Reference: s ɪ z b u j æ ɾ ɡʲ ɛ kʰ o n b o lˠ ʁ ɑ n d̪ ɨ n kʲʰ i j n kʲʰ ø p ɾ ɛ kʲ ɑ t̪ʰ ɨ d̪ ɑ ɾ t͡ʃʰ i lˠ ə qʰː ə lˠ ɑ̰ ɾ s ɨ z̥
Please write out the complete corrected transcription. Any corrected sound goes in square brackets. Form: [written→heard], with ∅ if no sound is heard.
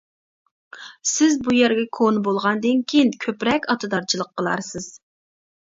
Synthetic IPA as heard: s ɪ z b u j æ ɾ ɡʲ ɛ kʰ o n b o lˠ ʁ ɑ n d̪ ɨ n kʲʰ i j n kʲʰ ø p ɾ ɛ kʲ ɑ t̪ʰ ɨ d̪ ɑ ɾ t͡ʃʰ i lˠ ə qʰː ə lˠ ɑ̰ ɾ s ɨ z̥